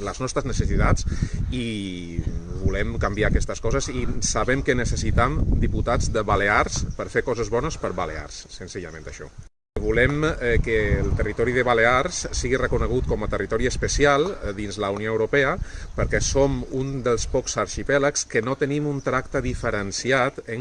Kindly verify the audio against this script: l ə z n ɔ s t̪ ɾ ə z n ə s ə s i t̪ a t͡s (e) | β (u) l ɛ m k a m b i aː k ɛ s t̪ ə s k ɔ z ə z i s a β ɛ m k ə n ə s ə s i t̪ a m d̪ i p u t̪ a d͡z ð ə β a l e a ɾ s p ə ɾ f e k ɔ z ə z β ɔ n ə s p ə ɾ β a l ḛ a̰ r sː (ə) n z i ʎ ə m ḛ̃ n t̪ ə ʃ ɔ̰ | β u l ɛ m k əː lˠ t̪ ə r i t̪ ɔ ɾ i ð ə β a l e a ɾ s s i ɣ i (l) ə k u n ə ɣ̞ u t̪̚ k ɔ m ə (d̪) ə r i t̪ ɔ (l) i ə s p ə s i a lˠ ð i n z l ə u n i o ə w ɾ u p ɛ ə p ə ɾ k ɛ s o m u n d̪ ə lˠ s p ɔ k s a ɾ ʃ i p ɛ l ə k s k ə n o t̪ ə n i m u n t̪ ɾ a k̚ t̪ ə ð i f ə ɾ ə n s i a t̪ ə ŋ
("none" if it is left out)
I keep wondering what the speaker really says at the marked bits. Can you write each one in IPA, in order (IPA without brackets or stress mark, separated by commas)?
i, u, ə, r, t̪, ɾ